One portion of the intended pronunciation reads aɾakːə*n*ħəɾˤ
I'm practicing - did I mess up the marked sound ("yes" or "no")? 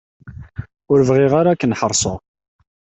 no